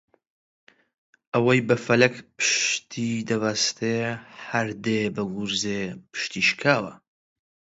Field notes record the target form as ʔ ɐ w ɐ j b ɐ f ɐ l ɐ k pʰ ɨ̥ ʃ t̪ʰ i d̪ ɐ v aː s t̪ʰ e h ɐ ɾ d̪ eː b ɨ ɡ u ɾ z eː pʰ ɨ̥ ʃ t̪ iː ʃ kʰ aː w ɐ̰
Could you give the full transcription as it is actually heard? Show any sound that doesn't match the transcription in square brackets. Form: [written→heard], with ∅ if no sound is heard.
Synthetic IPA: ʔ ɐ w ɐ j b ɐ f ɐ l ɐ k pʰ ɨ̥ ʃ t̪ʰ i d̪ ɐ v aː s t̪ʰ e h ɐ ɾ d̪ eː b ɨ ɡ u ɾ z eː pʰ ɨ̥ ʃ t̪ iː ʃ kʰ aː w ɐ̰